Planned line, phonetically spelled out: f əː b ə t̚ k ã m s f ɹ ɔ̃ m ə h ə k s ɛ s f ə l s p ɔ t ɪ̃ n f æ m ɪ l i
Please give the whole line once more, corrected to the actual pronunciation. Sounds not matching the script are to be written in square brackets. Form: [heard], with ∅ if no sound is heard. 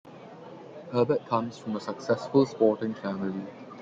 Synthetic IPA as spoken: [h] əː b ə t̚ [kʰ] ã m s f ɹ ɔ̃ m ə [s] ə k s ɛ s f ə l s p ɔ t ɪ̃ [ŋ] f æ m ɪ l i